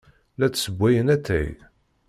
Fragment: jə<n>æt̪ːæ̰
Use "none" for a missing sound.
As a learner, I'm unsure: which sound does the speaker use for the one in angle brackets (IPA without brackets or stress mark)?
n